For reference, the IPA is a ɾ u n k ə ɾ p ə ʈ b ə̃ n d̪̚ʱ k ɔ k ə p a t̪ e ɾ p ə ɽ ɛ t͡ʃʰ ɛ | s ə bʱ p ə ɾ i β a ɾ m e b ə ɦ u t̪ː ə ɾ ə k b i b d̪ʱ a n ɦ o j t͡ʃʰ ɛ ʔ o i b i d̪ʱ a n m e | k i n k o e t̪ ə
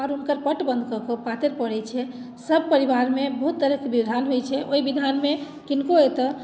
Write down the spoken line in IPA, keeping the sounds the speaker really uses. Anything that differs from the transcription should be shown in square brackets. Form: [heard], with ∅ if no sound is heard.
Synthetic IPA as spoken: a ɾ u n k ə ɾ p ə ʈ b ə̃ n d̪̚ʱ k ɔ k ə p a t̪ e ɾ p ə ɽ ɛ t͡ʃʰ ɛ | s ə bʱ p ə ɾ i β a ɾ m e b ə ɦ u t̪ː ə ɾ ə k b i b d̪ʱ a n ɦ o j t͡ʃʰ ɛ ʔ o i b i d̪ʱ a n m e | k i n k o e t̪ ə